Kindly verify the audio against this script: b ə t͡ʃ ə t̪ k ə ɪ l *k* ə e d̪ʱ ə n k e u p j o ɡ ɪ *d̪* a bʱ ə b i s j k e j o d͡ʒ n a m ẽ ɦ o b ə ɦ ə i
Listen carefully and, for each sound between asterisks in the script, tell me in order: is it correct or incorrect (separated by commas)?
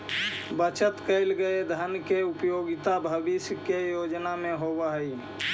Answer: incorrect, incorrect